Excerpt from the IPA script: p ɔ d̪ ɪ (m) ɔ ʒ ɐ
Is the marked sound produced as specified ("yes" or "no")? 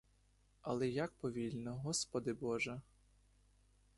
no